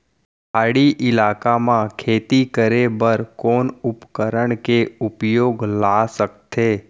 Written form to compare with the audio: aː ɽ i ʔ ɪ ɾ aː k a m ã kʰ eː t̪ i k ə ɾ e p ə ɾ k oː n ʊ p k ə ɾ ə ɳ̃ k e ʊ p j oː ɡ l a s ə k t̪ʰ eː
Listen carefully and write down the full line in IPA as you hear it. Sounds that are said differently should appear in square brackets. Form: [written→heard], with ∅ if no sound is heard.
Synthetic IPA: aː ɽ i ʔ ɪ [ɾ→l] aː k a m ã kʰ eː t̪ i k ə ɾ e [p→b] ə ɾ k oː n ʊ p k ə ɾ ə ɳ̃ k e ʊ p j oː ɡ l a s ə k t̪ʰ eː